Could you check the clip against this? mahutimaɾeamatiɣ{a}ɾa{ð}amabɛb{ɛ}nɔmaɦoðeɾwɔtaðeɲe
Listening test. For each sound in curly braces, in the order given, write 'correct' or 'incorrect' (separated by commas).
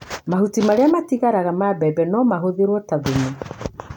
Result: correct, incorrect, correct